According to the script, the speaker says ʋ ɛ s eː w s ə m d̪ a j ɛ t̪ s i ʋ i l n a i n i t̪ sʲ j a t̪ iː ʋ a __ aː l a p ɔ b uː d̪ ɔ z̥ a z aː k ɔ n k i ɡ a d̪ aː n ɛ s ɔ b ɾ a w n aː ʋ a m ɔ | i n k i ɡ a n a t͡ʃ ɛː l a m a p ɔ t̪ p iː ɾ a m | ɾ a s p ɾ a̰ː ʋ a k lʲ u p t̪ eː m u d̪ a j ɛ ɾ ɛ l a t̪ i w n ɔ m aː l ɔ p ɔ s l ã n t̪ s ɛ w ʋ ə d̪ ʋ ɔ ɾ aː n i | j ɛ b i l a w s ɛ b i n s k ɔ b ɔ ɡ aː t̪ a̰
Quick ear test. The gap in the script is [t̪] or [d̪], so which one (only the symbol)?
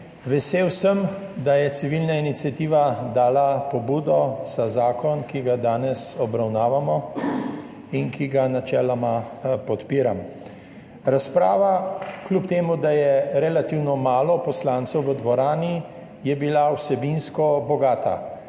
d̪